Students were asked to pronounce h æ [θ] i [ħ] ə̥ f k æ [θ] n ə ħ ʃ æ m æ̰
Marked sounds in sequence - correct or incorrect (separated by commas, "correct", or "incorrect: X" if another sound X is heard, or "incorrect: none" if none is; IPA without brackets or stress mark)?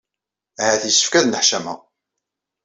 correct, incorrect: s, incorrect: ð